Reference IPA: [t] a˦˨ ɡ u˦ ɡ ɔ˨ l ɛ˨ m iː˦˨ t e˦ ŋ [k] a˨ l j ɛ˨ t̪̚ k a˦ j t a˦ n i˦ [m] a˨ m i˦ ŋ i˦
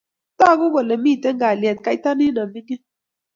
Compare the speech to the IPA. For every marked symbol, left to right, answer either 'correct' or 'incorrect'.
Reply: correct, incorrect, incorrect

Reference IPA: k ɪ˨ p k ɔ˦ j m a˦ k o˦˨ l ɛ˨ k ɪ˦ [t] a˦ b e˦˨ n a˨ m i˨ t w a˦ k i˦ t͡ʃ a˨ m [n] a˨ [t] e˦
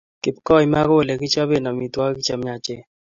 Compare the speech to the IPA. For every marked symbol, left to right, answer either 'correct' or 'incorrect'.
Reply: incorrect, incorrect, incorrect

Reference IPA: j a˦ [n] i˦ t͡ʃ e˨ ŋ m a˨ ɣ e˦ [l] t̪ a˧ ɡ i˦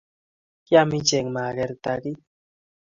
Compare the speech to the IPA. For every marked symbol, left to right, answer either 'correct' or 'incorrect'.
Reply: incorrect, incorrect

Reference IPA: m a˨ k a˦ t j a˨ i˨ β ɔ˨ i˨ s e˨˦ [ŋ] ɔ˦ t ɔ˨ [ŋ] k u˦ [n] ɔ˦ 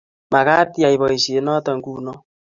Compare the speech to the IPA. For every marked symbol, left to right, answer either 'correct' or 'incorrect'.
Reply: incorrect, correct, correct

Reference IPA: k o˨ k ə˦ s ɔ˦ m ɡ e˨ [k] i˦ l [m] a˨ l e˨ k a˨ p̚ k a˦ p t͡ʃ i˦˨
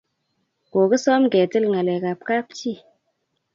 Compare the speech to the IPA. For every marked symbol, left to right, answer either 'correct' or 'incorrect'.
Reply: incorrect, incorrect

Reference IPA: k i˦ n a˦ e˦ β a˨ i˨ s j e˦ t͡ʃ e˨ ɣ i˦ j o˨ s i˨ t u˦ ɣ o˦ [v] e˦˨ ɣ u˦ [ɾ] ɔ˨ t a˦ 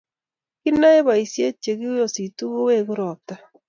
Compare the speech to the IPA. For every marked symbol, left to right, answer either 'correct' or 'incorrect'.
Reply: incorrect, correct

